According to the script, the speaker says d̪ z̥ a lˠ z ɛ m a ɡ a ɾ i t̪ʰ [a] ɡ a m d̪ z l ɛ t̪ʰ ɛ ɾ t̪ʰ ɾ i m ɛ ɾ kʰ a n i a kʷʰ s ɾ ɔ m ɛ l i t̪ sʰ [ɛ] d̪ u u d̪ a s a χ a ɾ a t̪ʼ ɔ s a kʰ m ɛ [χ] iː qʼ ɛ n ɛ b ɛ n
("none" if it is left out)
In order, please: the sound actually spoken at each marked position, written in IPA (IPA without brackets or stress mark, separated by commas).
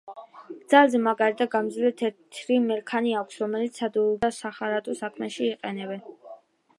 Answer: a, a, ʃ